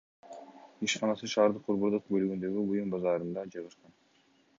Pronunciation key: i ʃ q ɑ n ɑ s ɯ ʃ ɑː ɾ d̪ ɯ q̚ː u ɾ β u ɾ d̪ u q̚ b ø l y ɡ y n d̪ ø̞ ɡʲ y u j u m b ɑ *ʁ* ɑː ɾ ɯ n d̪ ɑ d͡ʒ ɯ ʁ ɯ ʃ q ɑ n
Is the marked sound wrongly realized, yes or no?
yes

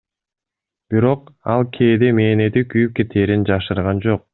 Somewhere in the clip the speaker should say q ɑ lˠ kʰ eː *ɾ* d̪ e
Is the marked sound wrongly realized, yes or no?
yes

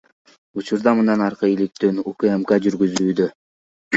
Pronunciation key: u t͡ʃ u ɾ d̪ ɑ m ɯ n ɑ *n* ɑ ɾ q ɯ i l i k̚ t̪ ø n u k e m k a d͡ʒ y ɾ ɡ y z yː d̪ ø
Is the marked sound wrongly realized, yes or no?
no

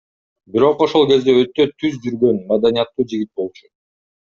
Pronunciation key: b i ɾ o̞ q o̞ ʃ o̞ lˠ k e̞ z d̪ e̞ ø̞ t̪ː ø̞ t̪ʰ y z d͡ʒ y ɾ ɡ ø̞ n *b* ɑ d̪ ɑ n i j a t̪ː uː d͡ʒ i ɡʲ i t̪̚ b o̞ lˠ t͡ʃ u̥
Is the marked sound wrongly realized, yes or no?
yes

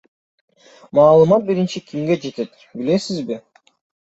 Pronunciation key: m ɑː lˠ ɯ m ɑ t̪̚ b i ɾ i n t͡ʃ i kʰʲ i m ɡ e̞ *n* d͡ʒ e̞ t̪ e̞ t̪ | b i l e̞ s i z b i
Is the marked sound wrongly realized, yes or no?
yes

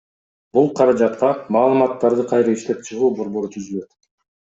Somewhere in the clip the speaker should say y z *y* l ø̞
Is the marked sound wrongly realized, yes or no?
no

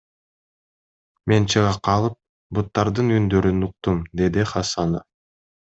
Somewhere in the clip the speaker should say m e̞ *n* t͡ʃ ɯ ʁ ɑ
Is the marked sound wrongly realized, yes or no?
no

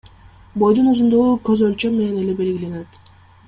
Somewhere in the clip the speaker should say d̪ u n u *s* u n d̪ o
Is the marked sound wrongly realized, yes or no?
yes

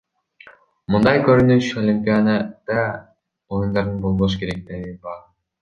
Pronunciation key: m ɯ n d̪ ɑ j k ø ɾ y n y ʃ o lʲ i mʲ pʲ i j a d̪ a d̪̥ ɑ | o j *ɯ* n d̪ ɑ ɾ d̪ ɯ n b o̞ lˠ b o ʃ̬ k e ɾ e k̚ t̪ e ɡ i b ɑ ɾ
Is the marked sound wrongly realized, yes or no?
yes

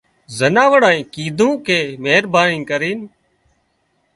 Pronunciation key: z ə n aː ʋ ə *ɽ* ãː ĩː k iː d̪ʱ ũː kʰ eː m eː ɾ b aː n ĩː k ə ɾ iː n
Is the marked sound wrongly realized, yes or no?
no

